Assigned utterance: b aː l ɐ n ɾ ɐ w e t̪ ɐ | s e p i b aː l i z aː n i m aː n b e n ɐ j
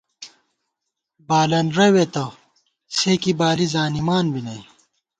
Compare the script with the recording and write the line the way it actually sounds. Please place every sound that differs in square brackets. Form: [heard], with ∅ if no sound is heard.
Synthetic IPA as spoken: b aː l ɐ n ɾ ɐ w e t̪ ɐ | s e [k] i b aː l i z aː n i m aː n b [i] n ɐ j